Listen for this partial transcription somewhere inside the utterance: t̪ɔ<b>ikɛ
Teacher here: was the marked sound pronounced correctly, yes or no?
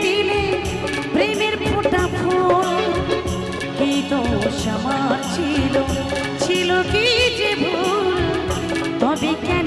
yes